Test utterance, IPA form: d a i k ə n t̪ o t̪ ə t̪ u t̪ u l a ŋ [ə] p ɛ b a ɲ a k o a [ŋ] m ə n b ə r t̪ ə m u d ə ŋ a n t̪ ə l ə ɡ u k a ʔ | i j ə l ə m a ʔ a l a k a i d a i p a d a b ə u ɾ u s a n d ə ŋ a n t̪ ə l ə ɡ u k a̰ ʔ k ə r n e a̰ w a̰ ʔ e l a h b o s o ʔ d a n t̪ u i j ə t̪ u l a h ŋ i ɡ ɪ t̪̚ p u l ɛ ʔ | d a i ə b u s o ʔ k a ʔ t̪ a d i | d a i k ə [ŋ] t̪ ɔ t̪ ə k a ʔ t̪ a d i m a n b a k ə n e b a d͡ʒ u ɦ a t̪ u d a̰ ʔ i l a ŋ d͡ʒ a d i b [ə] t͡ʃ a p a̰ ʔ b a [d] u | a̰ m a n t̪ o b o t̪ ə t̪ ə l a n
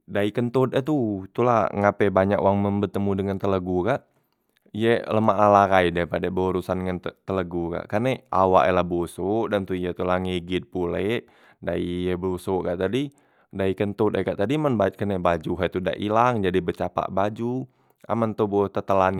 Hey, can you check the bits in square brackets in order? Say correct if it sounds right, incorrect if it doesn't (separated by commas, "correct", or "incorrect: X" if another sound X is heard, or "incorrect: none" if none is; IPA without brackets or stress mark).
incorrect: a, correct, incorrect: n, correct, incorrect: d͡ʒ